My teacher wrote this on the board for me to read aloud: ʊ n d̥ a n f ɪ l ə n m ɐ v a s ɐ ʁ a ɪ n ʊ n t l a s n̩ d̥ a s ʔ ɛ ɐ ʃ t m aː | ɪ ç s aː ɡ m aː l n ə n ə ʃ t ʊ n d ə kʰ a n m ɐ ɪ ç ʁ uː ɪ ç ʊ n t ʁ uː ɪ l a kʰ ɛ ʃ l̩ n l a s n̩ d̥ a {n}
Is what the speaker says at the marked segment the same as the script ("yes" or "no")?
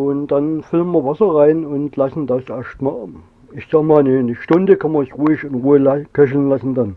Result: yes